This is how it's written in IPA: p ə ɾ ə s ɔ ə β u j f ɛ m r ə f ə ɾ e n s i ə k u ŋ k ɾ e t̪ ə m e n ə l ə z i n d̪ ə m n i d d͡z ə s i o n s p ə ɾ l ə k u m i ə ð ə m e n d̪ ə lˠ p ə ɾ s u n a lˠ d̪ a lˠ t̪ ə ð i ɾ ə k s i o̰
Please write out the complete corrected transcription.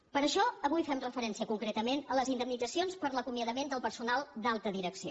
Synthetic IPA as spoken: p ə ɾ ə ʃ ɔ ə β u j f ɛ m r ə f ə ɾ ɛ n s i ə k u ŋ k ɾ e t̪ ə m e n ə l ə z i n d̪ ə m n i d d͡z ə s i o n s p ə ɾ l ə k u m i ə ð ə m e n d̪ ə lˠ p ə ɾ s u n a lˠ d̪ a lˠ t̪ ə ð i ɾ ə k s i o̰

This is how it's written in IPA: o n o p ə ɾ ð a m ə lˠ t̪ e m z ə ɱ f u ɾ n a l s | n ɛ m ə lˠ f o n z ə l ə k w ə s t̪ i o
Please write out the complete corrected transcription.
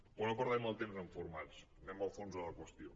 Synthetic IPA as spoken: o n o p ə ɾ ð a m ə lˠ t̪ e m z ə ɱ f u ɾ m a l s | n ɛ m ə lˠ f o n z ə l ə k w ə s t̪ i o

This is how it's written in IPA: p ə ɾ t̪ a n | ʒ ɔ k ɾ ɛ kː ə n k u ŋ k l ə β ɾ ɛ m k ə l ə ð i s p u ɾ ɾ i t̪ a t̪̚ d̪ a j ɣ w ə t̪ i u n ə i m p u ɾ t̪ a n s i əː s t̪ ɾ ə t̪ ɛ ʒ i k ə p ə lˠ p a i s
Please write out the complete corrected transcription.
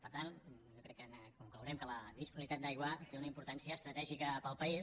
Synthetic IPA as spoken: p ə ɾ t̪ a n | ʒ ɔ k ɾ ɛ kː ə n k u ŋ k l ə w ɾ ɛ m k ə l ə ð i s p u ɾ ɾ i t̪ a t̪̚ d̪ a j ɣ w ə t̪ e u n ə i m p u ɾ t̪ a n s i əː s t̪ ɾ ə t̪ ɛ ʒ i k ə p ə lˠ p ə i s

